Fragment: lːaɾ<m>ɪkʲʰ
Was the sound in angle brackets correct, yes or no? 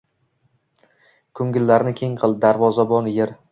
no